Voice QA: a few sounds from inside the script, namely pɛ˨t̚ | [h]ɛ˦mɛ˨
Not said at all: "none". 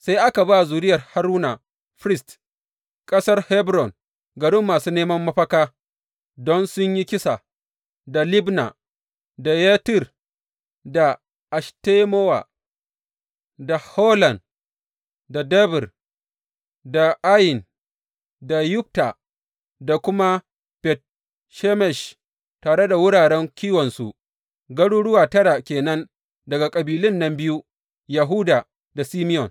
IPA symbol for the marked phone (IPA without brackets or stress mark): ʃ